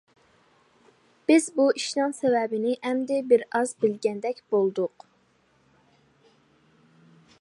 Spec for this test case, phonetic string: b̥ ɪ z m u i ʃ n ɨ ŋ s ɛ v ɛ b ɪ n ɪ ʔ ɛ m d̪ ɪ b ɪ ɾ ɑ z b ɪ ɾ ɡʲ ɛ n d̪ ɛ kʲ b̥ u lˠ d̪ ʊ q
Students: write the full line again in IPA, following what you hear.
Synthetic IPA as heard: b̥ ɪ z b u i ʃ n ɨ ŋ s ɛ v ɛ b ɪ n ɪ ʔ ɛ m d̪ ɪ b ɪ ɾ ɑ z b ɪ l ɡʲ ɛ n d̪ ɛ kʲ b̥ o lˠ d̪ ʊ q

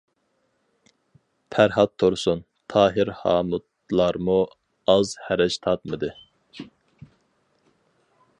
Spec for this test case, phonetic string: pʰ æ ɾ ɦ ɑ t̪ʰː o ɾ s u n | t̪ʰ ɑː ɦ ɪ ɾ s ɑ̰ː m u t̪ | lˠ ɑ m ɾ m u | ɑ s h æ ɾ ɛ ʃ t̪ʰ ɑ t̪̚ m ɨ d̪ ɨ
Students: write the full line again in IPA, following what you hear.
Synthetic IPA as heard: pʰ æ ɾ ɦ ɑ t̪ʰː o ɾ s u n | t̪ʰ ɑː ɦ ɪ ɾ h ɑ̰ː m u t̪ | lˠ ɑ ɾ m u | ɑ z h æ ɾ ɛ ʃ t̪ʰ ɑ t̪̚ m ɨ d̪ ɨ

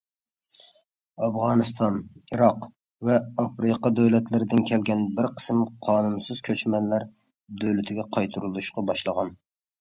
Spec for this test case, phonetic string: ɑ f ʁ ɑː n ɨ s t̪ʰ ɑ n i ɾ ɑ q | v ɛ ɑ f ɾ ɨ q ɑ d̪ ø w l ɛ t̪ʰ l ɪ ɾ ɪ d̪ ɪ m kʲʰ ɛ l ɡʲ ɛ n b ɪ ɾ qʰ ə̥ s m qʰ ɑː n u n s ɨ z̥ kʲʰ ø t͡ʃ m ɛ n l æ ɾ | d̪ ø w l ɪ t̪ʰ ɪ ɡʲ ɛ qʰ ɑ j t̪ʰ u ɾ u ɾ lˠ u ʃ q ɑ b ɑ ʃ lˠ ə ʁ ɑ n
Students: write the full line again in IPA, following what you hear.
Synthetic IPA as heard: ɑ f ʁ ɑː n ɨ s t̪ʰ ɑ n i ɾ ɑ q | v ɛ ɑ f ɾ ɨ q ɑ d̪ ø w l ɛ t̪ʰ l ɪ ɾ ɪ d̪ ɪ n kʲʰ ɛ l ɡʲ ɛ n b ɪ ɾ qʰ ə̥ s m qʰ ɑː n u n s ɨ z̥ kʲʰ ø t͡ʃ m ɛ n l æ ɾ | d̪ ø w l ɪ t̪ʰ ɪ ɡʲ ɛ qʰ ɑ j t̪ʰ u ɾ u lˠ u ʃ q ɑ b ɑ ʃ lˠ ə ʁ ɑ n

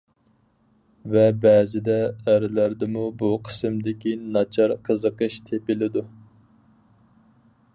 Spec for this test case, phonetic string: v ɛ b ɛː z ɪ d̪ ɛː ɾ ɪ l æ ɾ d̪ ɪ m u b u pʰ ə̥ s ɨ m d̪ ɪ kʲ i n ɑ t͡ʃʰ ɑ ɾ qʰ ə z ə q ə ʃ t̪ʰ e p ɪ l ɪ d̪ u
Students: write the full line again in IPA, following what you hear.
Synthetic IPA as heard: v ɛ b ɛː z ɪ d̪ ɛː ɾ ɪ l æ ɾ d̪ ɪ m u b u qʰ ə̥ s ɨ m d̪ ɪ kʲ i n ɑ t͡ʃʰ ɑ ɾ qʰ ə z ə q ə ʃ t̪ʰ e p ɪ l ɪ d̪ u

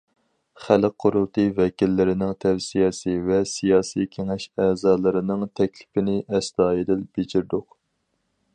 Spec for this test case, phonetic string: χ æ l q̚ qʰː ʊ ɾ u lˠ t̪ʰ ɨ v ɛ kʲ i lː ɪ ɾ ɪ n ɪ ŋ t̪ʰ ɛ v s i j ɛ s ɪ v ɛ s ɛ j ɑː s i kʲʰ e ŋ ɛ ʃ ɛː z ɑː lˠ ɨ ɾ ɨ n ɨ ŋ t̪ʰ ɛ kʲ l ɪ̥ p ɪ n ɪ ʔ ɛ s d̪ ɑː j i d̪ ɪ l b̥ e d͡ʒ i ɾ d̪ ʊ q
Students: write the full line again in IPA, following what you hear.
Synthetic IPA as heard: χ æ l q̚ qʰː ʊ ɾ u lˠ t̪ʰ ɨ v ɛ kʲ i lː ɪ ɾ ɪ n ɪ ŋ t̪ʰ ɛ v s i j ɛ s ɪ v ɛ s i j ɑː s i kʲʰ e ŋ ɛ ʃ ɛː z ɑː lˠ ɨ ɾ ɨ n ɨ ŋ t̪ʰ ɛ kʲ l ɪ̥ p ɪ n ɪ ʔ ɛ s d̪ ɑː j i d̪ ɪ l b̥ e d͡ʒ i ɾ d̪ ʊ q

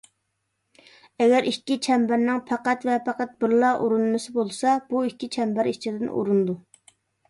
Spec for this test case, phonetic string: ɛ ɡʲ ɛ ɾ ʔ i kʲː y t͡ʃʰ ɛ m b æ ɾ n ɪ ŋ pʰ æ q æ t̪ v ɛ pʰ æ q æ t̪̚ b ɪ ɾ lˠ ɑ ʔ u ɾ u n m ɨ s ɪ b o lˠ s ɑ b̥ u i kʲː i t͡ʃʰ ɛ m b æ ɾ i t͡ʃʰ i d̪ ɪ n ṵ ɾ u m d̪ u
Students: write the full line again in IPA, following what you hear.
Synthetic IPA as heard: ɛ ɡʲ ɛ ɾ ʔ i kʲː i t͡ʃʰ ɛ m b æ ɾ n ɪ ŋ pʰ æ q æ t̪ v ɛ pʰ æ q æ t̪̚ b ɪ ɾ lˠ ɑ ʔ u ɾ u n m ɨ s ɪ b o lˠ s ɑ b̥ u i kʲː i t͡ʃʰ ɛ m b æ ɾ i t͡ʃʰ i d̪ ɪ n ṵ ɾ u n d̪ u

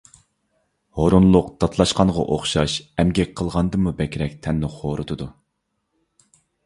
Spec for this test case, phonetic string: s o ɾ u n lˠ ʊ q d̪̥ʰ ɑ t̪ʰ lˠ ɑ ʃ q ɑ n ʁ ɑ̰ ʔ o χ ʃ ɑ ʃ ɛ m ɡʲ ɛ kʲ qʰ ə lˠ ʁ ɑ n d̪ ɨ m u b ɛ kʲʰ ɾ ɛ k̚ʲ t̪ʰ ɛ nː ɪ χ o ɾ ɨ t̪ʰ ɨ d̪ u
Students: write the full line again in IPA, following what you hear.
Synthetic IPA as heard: h o ɾ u n lˠ ʊ q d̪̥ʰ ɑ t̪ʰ lˠ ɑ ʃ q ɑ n ʁ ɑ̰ ʔ o χ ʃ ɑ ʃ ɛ m ɡʲ ɛ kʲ qʰ ə lˠ ʁ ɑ n d̪ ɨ m u b ɛ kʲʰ ɾ ɛ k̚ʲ t̪ʰ ɛ nː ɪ χ o ɾ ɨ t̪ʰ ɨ d̪ u

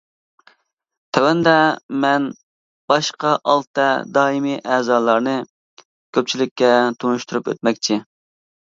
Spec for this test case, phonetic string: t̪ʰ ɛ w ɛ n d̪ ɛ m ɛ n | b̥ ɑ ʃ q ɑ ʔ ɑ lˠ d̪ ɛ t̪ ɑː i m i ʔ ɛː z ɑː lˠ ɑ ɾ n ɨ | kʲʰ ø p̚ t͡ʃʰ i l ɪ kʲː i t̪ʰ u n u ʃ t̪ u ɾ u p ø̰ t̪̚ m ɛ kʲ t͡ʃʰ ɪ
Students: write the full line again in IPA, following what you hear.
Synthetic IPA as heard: t̪ʰ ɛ w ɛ n d̪ ɛ m ɛ n | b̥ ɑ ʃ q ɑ ʔ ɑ lˠ t̪ ɛ d̪ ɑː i m i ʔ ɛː z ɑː lˠ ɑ ɾ n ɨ | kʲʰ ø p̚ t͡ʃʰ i l ɪ kʲː ɛ t̪ʰ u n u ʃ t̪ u ɾ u p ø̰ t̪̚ m ɛ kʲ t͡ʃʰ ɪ

